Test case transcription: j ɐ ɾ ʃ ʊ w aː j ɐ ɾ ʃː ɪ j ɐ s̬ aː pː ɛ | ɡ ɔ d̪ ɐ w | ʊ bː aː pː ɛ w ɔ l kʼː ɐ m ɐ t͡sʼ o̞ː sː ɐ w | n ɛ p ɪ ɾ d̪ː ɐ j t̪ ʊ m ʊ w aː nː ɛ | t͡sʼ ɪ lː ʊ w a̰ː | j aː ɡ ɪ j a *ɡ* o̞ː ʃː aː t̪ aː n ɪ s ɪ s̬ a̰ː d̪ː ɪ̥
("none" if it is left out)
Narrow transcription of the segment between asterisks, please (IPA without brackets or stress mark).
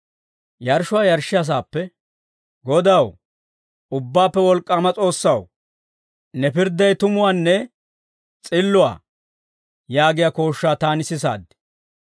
k